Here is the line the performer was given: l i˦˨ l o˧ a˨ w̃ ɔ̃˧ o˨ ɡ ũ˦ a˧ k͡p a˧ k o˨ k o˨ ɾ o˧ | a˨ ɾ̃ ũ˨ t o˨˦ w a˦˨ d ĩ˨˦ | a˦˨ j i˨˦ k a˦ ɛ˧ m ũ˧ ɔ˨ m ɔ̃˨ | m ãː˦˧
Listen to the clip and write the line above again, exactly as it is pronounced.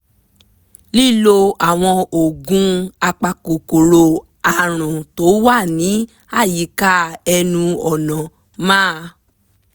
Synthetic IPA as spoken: l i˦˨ l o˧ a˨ w̃ ɔ̃˧ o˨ ɡ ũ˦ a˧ k͡p a˧ k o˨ k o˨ ɾ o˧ | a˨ ɾ̃ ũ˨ t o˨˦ w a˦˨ n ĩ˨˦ | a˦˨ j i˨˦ k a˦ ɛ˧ n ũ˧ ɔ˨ n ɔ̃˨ | m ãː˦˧

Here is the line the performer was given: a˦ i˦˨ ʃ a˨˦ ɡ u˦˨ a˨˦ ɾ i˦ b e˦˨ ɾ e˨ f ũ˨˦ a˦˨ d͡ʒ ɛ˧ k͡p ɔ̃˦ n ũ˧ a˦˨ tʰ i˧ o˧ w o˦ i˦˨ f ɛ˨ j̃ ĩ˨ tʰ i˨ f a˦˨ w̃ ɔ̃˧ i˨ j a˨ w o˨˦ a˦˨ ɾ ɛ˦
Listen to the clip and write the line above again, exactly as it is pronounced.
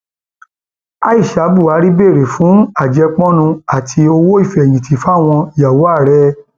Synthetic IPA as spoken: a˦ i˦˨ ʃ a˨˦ b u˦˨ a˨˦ ɾ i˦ b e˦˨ ɾ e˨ f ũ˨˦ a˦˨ d͡ʒ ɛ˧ k͡p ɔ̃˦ n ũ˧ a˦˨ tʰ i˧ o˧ w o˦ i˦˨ f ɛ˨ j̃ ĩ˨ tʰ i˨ f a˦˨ w̃ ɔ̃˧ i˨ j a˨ w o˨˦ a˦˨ ɾ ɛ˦

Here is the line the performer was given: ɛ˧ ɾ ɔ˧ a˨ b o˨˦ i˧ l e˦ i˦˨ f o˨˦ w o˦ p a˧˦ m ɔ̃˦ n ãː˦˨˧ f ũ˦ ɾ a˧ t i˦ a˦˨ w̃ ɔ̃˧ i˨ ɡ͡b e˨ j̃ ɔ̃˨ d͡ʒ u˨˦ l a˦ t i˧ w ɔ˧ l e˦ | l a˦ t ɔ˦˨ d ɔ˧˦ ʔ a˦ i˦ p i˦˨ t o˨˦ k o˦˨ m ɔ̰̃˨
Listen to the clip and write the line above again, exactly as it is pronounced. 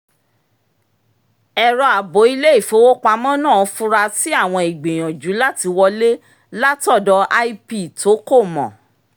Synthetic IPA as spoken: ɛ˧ ɾ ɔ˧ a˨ b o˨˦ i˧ l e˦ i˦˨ f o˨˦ w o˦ k͡p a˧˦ m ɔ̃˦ n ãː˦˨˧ f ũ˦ ɾ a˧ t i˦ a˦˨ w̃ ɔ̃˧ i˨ ɡ͡b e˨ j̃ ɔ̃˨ d͡ʒ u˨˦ l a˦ t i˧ w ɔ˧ l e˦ | l a˦ t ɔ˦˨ d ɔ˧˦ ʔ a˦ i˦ p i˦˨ t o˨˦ k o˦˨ m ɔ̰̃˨

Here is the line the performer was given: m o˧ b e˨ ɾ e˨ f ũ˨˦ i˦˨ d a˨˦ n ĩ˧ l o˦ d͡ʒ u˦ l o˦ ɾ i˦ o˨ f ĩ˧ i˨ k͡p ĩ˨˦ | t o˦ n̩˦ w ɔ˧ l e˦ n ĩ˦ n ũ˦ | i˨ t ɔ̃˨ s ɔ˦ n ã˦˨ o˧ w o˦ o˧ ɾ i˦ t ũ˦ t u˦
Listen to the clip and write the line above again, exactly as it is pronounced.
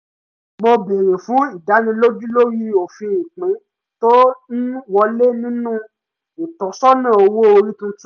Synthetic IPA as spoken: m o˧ b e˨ ɾ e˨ f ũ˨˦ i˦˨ d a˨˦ n ĩ˧ l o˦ d͡ʒ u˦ l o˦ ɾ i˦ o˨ f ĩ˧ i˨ k͡p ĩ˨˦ | t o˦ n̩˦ w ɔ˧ l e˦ n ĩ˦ n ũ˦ | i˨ t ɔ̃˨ s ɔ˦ n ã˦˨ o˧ w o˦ o˧ ɾ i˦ t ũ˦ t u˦

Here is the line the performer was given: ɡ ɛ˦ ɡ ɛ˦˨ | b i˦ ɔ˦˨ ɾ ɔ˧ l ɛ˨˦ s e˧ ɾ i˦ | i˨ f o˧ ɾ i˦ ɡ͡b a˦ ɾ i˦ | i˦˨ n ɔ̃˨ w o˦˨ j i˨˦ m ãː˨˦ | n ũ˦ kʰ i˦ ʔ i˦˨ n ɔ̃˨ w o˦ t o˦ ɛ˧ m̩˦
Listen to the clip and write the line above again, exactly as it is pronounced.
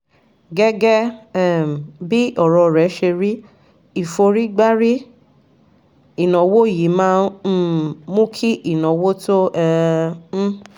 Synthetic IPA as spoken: ɡ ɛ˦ ɡ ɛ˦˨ | b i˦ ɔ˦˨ ɾ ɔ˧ ɾ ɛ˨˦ ʃ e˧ ɾ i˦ | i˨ f o˧ ɾ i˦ ɡ͡b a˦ ɾ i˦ | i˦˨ n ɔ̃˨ w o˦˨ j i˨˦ m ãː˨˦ | m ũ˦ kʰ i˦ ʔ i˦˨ n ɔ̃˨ w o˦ t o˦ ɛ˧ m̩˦

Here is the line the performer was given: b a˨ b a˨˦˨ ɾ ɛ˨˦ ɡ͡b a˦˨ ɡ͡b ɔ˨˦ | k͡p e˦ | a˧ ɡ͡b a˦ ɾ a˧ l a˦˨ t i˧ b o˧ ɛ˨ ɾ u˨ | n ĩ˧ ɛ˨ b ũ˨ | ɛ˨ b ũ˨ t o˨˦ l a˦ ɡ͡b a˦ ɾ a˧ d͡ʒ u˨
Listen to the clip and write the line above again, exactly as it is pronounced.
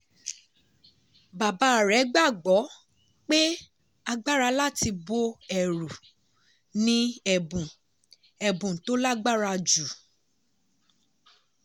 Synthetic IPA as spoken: b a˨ b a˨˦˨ ɾ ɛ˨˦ ɡ͡b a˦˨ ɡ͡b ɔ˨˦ | k͡p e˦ | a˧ ɡ͡b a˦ ɾ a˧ l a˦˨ t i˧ b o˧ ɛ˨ ɾ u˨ | n ĩ˧ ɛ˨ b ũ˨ | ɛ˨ b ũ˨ t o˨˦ l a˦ ɡ͡b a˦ ɾ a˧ d͡ʒ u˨

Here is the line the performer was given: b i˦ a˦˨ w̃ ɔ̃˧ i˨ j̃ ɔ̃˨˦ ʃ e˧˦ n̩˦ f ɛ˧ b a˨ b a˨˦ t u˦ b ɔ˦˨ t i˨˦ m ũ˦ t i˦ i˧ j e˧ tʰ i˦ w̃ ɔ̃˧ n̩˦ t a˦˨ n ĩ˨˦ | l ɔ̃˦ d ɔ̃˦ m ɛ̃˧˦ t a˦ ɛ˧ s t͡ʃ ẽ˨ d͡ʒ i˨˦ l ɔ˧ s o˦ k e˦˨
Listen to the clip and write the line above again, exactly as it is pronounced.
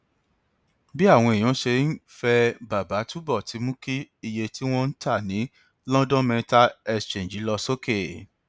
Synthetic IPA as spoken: b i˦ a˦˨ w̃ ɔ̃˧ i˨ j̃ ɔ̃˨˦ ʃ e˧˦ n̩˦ f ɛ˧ b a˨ b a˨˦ t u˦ b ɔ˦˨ t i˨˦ m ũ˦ k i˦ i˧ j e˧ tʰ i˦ w̃ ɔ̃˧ n̩˦ t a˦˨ n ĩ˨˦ | l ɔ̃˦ d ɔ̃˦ m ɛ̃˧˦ t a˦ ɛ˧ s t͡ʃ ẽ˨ d͡ʒ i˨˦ l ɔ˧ s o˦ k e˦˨

